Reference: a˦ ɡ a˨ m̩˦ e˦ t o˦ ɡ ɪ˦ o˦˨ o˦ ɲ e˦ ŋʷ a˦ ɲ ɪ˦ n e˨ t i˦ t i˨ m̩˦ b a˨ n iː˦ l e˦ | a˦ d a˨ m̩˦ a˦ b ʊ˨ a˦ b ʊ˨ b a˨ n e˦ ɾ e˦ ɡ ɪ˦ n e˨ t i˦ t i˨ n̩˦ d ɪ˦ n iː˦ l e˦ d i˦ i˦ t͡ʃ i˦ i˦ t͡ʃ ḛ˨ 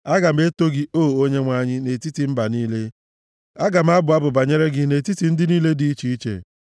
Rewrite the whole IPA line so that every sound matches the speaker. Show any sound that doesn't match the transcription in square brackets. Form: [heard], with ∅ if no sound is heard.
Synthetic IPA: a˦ ɡ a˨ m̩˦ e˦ t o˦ ɡ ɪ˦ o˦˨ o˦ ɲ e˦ ŋʷ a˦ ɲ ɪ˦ n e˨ t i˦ t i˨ m̩˦ b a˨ n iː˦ l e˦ | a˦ [ɡ] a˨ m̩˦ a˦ b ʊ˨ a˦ b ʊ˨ b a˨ [ɲ] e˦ ɾ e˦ ɡ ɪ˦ n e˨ t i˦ t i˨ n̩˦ d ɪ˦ n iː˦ l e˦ d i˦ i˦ t͡ʃ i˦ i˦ t͡ʃ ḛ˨